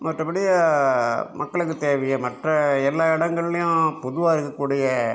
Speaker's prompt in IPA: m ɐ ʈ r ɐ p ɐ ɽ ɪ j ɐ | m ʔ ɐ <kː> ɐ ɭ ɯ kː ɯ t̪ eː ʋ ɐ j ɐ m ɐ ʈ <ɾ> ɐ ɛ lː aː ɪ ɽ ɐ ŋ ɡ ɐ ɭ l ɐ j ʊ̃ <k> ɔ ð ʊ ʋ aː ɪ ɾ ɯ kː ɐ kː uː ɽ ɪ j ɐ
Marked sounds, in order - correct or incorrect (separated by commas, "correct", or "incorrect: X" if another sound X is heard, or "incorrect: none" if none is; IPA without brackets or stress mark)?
correct, incorrect: r, incorrect: p